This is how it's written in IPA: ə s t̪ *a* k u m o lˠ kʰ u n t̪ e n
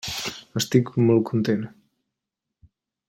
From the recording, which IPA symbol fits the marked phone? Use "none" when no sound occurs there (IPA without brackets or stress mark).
i